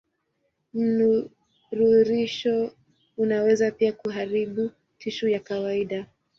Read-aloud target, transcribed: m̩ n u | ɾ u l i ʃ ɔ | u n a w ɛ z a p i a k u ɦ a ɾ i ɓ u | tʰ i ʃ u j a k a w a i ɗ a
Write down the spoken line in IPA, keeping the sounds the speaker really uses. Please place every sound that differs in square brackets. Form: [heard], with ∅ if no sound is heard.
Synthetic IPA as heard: m̩ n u | ɾ u [ɾ] i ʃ ɔ | u n a w ɛ z a p i a k u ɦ a ɾ i ɓ u | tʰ i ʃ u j a k a w a i ɗ a

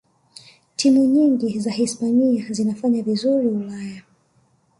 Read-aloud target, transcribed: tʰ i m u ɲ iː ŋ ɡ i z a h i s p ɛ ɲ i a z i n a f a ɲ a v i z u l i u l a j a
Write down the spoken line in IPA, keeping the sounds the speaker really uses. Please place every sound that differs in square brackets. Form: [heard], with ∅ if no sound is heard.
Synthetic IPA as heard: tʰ i m u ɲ [i] ŋ ɡ i z a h i s p [a] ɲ i a z i n a f a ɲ a v i z u [ɾ] i u l a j a

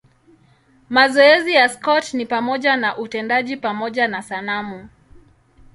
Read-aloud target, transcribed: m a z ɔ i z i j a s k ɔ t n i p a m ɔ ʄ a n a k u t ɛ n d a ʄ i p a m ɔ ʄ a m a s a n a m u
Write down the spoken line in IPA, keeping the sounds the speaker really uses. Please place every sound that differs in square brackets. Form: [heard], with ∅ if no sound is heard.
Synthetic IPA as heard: m a z ɔ [ɛ] z i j a s k ɔ t n i p a m ɔ ʄ a n a [ʔ] u t ɛ n d a ʄ i p a m ɔ ʄ a [n] a s a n a m u

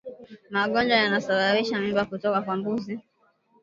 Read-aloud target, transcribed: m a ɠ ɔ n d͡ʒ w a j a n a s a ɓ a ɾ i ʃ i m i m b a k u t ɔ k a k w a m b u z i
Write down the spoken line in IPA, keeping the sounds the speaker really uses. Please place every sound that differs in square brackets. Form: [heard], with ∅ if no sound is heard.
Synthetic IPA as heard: m a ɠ ɔ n d͡ʒ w a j a n a s a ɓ a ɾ i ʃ [a] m i m b a k u t ɔ k a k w a m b u z i

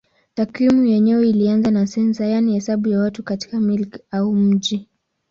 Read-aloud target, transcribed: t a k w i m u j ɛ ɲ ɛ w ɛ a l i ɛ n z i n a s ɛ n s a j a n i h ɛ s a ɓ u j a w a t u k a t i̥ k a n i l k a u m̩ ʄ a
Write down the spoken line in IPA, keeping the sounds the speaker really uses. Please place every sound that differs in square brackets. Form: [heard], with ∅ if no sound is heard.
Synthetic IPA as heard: t a k w i m u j ɛ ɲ ɛ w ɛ [i] l i [a] n z [a] n a s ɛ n s a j a n i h ɛ s a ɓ u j a w a t u k a t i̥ k a [m] i l k a u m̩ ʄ [i]

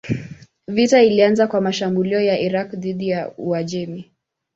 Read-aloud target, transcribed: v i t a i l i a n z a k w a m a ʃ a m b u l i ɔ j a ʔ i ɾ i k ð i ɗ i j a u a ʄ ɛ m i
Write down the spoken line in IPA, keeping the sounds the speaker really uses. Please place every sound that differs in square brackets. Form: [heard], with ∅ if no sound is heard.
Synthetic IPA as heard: v i t a i l i a n z a k w a m a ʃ a m b u l i ɔ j a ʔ i ɾ [a] k ð i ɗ i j a u a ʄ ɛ m i

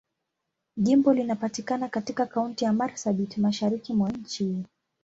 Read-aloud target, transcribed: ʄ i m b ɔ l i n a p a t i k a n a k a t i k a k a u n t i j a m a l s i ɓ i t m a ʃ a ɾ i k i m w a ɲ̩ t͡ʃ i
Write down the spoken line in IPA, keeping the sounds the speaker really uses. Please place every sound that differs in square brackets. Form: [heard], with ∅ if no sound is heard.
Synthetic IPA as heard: ʄ i m b ɔ l i n a p a t i k a n a k a t i k a k a u n t i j a m a [ɾ] s [a] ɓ i t m a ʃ a ɾ i k i m w a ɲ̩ t͡ʃ i

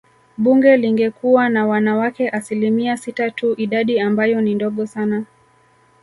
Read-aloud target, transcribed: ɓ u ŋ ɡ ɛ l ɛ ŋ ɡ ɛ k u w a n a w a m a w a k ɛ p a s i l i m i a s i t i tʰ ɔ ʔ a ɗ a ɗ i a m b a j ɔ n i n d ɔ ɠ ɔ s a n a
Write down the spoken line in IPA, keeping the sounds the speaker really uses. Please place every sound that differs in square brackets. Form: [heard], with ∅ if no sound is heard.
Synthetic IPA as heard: ɓ u ŋ ɡ ɛ l [i] ŋ ɡ ɛ k u w a n a w a [n] a w a k ɛ [ʔ] a s i l i m i a s i t [a] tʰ [u] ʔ [i] ɗ a ɗ i a m b a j ɔ n i n d ɔ ɠ ɔ s a n a

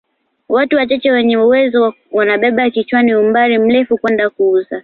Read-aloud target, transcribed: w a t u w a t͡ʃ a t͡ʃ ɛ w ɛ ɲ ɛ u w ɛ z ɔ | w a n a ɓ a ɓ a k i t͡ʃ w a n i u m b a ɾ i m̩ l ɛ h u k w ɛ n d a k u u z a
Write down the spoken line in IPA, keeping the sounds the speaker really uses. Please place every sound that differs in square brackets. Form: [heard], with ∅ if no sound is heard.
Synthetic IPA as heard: w a t u w a t͡ʃ a t͡ʃ ɛ w ɛ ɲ ɛ u w ɛ z ɔ | w a n a ɓ [ɛ] ɓ a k i t͡ʃ w a n i u m b a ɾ i m̩ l ɛ [f] u k w ɛ n d a k u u z a

